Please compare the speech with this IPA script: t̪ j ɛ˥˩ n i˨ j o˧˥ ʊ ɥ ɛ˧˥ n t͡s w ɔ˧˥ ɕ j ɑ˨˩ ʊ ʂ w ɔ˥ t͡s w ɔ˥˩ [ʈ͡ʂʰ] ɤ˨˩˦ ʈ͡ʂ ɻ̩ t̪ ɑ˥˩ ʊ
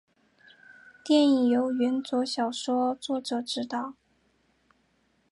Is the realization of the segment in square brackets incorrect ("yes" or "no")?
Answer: yes